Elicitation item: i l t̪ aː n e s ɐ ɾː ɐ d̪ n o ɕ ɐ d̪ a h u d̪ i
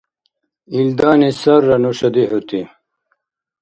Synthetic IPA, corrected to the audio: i l d̪ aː n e s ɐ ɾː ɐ n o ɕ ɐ d̪ i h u t̪ i